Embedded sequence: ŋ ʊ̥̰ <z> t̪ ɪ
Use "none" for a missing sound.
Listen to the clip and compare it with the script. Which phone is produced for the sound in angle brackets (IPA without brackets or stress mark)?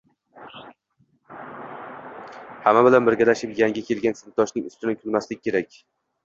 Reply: s